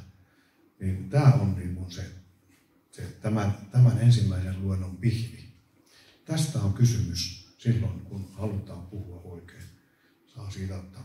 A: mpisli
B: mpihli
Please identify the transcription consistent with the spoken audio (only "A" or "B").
B